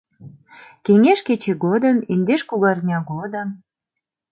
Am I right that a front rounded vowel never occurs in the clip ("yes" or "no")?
yes